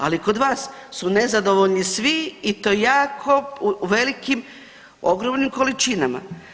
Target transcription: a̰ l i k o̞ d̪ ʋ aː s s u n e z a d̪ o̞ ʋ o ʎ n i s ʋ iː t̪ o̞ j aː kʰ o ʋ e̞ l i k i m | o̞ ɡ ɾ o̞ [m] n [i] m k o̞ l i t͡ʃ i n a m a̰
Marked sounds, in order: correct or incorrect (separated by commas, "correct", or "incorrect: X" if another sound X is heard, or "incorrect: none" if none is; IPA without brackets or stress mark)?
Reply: correct, correct